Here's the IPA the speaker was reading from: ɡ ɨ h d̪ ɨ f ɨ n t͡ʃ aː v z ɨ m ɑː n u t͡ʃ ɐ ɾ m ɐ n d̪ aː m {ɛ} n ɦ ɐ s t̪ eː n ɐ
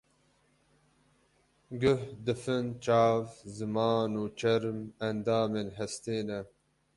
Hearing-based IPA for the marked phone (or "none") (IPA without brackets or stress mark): e